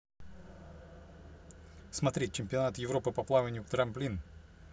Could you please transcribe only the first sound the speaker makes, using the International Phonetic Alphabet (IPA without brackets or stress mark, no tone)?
s